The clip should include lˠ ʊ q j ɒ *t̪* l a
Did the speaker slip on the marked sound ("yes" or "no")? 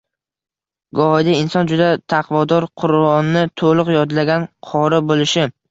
yes